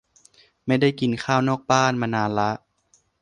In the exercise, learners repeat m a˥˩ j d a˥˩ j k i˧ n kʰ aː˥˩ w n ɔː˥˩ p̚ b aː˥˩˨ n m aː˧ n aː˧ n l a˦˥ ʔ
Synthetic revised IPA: m a˥˩ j d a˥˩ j k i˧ n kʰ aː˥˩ w n ɔː˥˩ k̚ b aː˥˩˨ n m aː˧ n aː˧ n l a˦˥ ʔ